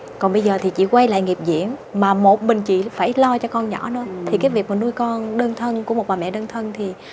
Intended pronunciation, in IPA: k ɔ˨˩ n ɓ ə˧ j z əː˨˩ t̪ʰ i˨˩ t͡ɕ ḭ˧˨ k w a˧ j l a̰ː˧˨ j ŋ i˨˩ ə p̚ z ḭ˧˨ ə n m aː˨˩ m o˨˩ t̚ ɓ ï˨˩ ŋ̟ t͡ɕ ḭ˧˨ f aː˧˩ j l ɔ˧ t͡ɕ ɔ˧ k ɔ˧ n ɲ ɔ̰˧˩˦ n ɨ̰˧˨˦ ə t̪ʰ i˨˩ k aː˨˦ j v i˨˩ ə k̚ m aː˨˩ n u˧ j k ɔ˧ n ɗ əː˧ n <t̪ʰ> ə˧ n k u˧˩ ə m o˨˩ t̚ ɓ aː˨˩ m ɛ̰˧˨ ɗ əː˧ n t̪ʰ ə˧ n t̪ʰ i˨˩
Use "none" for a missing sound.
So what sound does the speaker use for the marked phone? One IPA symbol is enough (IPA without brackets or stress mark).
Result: t̪ʰ